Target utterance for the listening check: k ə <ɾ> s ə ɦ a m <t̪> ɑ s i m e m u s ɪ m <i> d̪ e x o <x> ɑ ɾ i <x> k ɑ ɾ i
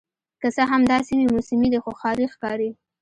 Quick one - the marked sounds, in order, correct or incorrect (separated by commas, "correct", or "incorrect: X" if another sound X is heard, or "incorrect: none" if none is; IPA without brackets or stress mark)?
incorrect: none, incorrect: d̪, correct, correct, correct